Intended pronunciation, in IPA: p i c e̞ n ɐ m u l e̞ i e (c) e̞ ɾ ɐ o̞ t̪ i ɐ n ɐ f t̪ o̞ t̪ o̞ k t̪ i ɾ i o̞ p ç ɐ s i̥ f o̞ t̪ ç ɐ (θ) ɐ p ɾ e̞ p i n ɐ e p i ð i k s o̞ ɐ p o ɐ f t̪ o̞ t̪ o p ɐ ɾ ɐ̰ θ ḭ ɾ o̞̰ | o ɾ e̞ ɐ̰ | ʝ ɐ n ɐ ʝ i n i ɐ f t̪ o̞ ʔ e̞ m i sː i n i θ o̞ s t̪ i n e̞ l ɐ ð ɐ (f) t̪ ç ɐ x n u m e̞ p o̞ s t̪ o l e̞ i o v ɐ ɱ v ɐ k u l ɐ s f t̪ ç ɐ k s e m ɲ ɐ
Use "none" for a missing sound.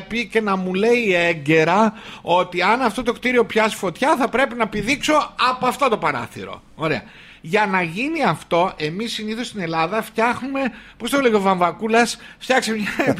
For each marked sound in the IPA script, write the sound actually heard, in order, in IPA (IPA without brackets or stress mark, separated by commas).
ɟ, θ, f